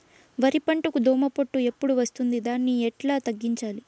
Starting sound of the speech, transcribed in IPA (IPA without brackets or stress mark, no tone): ʋ